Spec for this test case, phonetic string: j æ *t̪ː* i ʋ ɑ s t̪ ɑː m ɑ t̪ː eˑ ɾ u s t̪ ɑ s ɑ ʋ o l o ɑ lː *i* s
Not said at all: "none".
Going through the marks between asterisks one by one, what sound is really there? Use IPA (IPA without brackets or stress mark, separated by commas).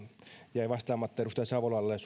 none, e